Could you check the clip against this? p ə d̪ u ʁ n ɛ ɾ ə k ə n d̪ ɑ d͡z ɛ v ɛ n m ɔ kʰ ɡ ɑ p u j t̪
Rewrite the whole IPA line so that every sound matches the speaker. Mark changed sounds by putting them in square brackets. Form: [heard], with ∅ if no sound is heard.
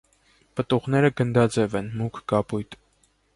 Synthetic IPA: p ə [t̪] u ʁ n ɛ ɾ ə [ɡ] ə n d̪ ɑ d͡z ɛ v ɛ n m [u] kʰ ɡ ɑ p u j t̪

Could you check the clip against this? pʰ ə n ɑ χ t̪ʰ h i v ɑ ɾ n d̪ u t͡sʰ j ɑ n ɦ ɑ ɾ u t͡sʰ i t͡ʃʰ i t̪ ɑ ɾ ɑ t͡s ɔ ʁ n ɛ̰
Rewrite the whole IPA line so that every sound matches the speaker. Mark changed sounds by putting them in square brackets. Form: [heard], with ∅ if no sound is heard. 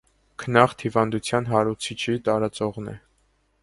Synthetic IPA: [kʰ] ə n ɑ χ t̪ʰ h i v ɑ [∅] n d̪ u t͡sʰ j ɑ n ɦ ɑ ɾ u t͡sʰ i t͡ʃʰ i t̪ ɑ ɾ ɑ t͡s ɔ ʁ n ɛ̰

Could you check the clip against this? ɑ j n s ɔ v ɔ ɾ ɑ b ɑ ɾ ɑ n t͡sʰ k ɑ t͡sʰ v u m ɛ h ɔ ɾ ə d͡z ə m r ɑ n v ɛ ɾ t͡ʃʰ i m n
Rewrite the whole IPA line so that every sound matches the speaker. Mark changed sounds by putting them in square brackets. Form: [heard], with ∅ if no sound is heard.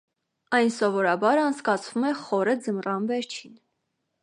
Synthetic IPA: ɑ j n s ɔ v ɔ ɾ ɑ b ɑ ɾ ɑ n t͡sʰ k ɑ t͡sʰ v u m ɛ [χ] ɔ ɾ ə d͡z ə m r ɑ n v ɛ ɾ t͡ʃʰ i [∅] n

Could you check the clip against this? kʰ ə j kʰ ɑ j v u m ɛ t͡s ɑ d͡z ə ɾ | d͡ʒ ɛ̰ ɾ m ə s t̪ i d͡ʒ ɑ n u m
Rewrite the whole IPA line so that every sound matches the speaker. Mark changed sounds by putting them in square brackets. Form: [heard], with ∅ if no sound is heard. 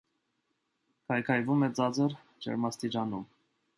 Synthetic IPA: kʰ [ɑ] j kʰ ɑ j v u m ɛ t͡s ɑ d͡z ə ɾ | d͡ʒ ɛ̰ ɾ m [ɑ] s t̪ i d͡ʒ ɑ n u m

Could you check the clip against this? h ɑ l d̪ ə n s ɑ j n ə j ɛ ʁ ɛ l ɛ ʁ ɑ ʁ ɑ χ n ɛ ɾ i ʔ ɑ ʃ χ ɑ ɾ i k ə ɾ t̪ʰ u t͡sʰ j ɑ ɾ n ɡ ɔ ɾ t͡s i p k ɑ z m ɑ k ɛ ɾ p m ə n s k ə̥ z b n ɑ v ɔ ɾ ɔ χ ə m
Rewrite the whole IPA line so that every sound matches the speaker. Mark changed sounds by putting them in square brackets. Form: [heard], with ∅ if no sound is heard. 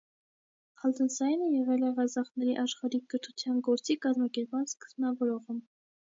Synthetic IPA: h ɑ l d̪ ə n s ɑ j n ə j ɛ ʁ ɛ l ɛ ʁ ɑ [z] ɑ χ n ɛ ɾ i ʔ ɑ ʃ χ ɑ ɾ i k ə ɾ t̪ʰ u t͡sʰ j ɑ [∅] n ɡ ɔ ɾ t͡s i [∅] k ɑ z m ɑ k ɛ ɾ p m [ɑ] n s k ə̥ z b n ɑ v ɔ ɾ ɔ [ʁ] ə m

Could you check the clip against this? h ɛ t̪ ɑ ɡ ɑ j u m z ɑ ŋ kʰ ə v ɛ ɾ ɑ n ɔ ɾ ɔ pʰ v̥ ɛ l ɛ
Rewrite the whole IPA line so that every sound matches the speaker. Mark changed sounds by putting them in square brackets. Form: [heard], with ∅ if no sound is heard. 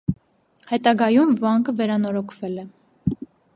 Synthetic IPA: h ɛ t̪ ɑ ɡ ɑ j u m [v] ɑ ŋ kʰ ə v ɛ ɾ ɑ n ɔ ɾ ɔ [kʰ] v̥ ɛ l ɛ

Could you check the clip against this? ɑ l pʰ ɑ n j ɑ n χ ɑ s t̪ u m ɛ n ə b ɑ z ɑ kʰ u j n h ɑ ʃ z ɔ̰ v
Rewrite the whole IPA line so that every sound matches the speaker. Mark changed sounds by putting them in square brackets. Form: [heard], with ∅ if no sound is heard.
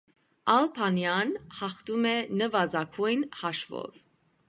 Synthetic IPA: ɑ l pʰ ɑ n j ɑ n [h] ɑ [χ] t̪ u m ɛ n ə [v] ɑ z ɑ kʰ u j n h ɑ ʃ [v] ɔ̰ v

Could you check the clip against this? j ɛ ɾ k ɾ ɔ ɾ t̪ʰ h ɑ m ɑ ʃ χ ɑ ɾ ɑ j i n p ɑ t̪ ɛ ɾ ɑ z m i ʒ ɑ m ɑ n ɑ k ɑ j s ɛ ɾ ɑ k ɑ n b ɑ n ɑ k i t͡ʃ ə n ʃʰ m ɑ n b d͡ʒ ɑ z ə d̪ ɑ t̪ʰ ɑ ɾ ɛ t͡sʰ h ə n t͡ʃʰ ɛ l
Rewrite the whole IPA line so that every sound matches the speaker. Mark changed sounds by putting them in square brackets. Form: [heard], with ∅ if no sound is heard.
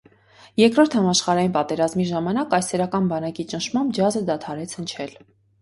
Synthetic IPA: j ɛ ɾ k ɾ ɔ ɾ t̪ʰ h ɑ m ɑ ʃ χ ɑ ɾ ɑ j i n p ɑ t̪ ɛ ɾ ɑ z m i ʒ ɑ m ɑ n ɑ k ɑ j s ɛ ɾ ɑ k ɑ n b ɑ n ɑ k i t͡ʃ ə n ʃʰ m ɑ [m] b d͡ʒ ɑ z ə d̪ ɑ t̪ʰ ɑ ɾ ɛ t͡sʰ h ə n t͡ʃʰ ɛ l

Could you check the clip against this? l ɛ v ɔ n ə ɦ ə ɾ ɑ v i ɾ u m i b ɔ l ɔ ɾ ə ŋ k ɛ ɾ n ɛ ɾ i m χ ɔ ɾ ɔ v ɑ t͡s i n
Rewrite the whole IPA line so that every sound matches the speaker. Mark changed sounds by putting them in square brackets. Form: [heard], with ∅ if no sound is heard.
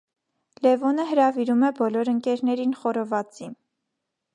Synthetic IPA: l ɛ v ɔ n ə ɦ ə ɾ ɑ v i ɾ u m [ɛ] b ɔ l ɔ ɾ ə ŋ k ɛ ɾ n ɛ ɾ i [n] χ ɔ ɾ ɔ v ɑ t͡s i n

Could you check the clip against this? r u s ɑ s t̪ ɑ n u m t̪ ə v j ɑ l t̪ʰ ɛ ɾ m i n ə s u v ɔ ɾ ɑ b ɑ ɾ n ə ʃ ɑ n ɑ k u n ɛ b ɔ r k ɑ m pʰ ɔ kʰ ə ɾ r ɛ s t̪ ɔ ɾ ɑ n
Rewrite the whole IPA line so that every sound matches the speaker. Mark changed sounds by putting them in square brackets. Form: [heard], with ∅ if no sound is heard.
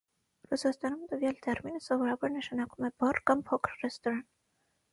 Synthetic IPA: r u s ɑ s t̪ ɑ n u m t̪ ə v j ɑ l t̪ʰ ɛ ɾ m i n ə s [ɔ] v ɔ ɾ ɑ b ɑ ɾ n ə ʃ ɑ n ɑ k u [m] ɛ b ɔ r k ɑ m pʰ ɔ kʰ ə ɾ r ɛ s t̪ ɔ ɾ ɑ n

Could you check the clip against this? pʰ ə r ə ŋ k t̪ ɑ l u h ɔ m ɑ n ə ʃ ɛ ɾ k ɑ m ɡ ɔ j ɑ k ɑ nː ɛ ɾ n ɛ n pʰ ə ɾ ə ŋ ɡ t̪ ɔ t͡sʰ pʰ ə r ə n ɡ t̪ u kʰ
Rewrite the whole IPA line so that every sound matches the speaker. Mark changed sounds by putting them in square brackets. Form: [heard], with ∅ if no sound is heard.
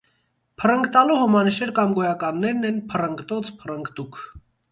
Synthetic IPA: pʰ ə r ə ŋ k t̪ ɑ l u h ɔ m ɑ n ə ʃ ɛ ɾ k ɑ m ɡ ɔ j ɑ k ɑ nː ɛ ɾ n ɛ n pʰ ə [r] ə ŋ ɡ t̪ ɔ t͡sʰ pʰ ə r ə [ŋ] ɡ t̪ u kʰ

